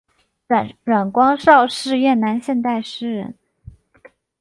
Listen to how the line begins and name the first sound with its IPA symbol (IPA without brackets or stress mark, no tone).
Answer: ɻ